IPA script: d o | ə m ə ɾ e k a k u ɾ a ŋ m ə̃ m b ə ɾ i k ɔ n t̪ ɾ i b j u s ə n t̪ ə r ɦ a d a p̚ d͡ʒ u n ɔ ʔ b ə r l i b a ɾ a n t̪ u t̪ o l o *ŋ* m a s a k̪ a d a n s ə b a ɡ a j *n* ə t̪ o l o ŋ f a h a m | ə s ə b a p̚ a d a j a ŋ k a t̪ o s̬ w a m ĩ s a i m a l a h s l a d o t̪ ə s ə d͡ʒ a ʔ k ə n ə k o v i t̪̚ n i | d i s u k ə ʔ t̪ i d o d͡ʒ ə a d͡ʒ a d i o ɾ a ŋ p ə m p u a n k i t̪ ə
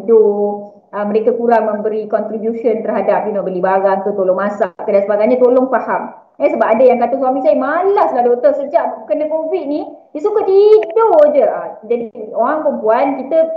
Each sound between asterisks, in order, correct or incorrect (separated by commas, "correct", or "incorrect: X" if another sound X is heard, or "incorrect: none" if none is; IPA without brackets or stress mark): correct, incorrect: ɲ